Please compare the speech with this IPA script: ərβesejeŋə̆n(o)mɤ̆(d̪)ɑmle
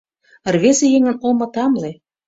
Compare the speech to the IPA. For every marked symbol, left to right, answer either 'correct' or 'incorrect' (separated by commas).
correct, incorrect